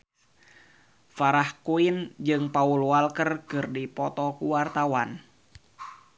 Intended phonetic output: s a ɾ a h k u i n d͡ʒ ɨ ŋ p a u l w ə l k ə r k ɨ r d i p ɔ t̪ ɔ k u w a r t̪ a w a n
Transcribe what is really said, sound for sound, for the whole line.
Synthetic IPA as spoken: f a ɾ a h k u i n d͡ʒ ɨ ŋ p a u l w a l k ə r k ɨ r d i p ɔ t̪ ɔ k u w a r t̪ a w a n